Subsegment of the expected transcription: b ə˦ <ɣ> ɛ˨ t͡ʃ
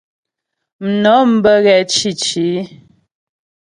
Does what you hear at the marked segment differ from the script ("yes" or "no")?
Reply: no